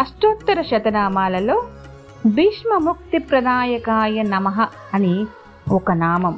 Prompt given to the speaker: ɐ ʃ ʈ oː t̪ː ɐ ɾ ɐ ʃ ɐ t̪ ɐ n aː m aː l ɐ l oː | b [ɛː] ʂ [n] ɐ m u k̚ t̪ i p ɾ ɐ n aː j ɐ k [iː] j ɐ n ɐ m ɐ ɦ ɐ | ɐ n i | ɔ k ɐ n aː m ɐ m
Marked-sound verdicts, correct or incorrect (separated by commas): incorrect, incorrect, incorrect